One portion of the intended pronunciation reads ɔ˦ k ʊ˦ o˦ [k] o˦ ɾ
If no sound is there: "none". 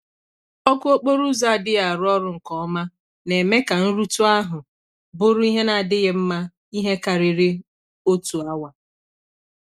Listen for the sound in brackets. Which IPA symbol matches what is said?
k͡p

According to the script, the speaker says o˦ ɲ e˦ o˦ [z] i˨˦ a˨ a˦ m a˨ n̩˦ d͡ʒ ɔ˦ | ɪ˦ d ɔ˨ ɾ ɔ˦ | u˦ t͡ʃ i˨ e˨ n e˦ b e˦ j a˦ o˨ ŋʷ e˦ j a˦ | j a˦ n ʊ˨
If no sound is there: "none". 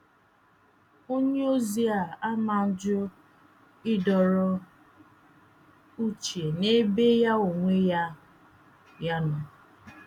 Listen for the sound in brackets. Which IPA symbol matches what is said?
z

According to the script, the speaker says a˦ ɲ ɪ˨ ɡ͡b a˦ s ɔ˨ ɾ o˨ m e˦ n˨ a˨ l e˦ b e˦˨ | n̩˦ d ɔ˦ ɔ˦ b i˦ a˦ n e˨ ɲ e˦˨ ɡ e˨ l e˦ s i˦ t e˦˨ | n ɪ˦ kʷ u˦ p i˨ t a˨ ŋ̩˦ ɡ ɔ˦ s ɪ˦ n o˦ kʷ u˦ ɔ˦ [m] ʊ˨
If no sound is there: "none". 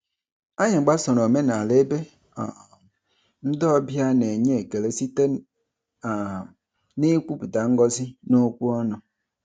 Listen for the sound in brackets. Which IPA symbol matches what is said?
n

